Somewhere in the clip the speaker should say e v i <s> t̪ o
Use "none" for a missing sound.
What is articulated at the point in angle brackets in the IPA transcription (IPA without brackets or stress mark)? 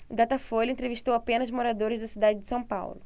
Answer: ʃ